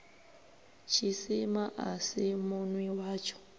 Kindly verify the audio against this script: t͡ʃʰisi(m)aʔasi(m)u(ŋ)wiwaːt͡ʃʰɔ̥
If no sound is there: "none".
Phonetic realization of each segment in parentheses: m, m, n

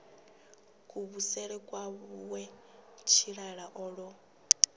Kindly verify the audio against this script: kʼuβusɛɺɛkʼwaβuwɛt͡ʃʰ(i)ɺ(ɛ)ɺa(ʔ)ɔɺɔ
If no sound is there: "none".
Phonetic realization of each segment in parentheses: i, a, ʔ

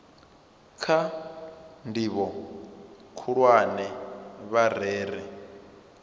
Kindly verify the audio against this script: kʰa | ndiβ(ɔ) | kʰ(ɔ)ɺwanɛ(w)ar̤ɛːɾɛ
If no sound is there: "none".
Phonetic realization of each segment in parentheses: ɔ, u, β

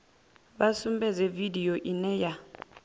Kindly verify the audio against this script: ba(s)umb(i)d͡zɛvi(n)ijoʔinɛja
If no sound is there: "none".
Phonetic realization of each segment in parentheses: s, ɛ, d

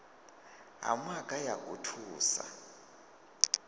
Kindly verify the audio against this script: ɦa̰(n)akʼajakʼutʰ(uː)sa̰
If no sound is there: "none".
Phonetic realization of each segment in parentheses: m, uː

